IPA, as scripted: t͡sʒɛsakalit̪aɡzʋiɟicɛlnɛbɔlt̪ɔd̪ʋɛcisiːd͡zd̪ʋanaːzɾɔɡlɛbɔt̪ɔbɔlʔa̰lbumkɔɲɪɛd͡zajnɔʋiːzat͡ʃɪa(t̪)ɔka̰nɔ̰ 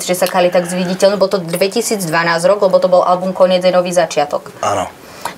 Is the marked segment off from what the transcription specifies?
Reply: no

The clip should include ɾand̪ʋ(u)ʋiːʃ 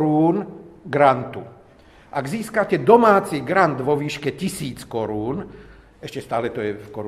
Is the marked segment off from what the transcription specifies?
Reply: yes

